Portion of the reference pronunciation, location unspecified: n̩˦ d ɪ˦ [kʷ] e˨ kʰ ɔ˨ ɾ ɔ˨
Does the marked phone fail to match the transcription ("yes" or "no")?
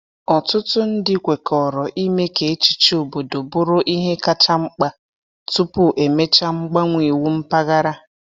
no